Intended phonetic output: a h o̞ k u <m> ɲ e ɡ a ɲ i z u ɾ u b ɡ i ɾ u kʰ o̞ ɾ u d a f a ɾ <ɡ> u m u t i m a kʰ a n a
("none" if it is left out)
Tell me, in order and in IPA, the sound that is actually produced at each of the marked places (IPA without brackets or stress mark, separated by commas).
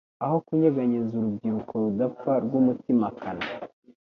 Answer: none, ɡ